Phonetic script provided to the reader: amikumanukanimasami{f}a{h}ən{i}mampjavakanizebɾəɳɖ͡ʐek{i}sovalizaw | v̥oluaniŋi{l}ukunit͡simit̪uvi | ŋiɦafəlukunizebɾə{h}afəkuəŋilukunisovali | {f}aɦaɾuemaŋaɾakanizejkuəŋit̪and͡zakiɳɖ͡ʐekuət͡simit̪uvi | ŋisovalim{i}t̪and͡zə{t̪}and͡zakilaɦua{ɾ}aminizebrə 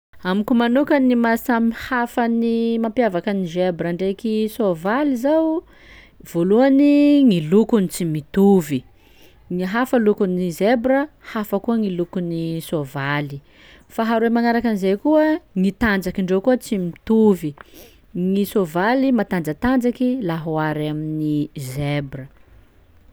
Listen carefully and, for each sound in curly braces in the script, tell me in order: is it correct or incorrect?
incorrect: h, incorrect: f, correct, correct, correct, correct, correct, incorrect: a, correct, correct

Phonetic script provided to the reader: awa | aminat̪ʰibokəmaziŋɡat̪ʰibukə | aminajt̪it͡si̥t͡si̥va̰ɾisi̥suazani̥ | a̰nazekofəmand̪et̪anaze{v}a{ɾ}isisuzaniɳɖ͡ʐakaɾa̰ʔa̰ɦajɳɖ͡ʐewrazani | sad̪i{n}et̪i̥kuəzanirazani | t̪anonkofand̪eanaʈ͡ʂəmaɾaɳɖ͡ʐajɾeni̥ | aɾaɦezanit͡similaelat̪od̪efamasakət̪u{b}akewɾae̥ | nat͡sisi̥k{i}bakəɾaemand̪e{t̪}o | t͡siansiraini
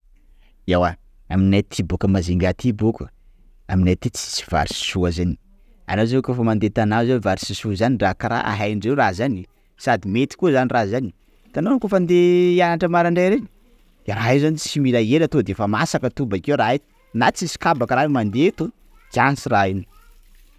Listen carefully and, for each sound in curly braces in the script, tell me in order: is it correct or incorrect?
correct, correct, incorrect: m, correct, incorrect: a, correct

